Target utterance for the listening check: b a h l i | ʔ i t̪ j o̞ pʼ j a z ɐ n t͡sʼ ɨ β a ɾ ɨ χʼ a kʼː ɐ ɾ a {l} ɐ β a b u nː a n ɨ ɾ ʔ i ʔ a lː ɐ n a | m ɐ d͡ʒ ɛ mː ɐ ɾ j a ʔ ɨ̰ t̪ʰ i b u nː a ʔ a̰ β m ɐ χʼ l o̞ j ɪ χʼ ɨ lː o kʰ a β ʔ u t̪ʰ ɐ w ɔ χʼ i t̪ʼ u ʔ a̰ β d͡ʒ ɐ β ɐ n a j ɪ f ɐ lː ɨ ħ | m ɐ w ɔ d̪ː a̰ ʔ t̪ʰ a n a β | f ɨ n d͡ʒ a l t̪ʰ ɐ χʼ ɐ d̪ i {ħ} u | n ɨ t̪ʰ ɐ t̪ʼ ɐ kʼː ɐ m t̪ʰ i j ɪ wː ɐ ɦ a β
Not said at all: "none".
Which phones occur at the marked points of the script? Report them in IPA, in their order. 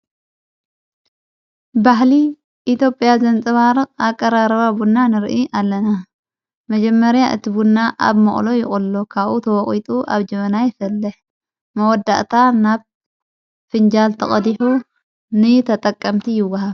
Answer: ɾ, ħ

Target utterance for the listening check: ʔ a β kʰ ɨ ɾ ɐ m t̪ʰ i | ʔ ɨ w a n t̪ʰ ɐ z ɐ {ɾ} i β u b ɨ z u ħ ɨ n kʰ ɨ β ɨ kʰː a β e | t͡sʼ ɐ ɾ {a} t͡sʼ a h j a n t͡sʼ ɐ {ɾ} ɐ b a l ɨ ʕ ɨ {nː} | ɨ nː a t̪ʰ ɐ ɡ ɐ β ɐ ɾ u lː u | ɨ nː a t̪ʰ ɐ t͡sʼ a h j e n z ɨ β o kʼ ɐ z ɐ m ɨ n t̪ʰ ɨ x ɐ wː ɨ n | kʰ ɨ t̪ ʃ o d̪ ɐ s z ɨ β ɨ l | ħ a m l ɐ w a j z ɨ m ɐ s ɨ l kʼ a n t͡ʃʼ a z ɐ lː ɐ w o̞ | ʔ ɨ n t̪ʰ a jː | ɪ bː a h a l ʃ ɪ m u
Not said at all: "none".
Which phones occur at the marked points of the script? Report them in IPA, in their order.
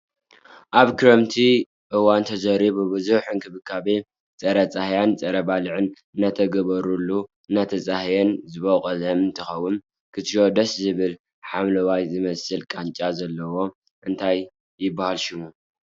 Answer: ɾ, ɐ, ɾ, n

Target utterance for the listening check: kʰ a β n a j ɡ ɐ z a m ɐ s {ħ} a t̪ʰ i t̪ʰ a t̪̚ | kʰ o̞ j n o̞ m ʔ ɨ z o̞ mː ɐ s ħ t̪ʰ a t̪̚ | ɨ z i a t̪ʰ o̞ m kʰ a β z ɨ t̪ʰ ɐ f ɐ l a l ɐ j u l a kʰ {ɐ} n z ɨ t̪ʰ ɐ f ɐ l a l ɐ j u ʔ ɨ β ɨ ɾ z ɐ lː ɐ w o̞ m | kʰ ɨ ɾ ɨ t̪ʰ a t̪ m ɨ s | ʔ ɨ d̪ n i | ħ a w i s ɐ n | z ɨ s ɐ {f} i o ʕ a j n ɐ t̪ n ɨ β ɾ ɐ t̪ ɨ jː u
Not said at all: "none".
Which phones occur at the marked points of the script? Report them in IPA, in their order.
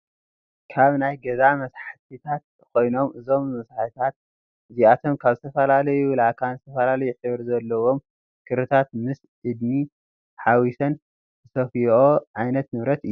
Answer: ħ, a, f

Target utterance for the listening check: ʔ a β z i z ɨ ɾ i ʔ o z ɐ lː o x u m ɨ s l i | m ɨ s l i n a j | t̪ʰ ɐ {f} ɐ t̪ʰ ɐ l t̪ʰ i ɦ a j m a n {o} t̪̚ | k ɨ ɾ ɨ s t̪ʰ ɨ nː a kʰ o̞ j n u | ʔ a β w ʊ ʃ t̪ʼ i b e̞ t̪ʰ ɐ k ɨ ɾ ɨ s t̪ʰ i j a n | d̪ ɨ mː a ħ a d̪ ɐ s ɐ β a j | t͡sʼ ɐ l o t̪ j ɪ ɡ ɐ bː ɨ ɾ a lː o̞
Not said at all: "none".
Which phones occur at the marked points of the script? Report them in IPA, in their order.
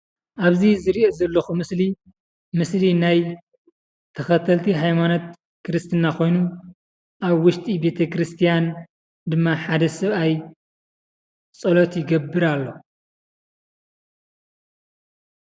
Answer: x, o

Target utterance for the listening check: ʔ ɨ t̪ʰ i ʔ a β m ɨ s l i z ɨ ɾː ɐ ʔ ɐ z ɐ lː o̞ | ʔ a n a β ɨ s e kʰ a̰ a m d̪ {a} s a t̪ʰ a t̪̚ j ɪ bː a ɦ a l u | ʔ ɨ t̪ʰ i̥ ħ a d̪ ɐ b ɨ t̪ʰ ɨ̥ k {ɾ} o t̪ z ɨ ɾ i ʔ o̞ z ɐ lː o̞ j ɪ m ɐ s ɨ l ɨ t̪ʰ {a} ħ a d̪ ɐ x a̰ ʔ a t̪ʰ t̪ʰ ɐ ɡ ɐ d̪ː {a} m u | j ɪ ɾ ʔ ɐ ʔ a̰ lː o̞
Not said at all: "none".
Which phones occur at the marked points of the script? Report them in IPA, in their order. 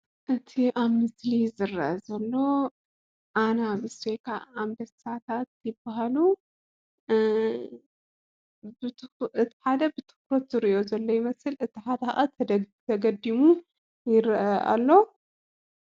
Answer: ɐ, ɾ, i, i

